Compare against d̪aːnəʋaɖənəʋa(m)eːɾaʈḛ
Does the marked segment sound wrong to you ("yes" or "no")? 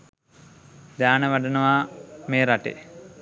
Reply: no